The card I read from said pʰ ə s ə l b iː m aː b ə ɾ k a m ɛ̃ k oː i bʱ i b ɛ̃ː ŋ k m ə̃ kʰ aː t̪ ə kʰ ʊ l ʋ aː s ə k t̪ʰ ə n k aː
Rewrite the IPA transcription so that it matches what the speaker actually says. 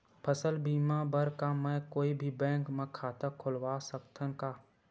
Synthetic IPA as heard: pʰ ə s ə l b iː m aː b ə ɾ k a m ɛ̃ k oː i bʱ i b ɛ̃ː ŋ k m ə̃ kʰ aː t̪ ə kʰ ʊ l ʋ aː s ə k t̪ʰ ə n k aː